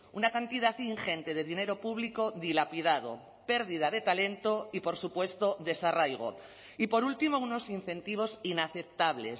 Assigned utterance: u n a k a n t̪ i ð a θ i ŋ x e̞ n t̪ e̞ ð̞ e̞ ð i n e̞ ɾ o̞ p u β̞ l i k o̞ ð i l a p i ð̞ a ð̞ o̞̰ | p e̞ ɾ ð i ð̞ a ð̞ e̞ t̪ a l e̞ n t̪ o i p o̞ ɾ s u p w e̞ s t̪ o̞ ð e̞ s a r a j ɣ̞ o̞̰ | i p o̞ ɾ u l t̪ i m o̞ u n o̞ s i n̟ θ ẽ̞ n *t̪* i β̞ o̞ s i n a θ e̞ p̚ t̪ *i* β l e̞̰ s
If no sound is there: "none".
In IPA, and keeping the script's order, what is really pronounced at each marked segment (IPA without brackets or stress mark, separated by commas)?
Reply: t̪, a